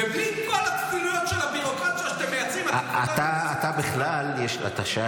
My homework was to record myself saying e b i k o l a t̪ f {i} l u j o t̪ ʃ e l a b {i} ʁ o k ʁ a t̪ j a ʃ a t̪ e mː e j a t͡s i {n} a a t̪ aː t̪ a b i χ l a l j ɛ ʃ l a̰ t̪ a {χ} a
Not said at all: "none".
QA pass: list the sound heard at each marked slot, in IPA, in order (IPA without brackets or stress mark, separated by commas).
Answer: i, i, m, ʃ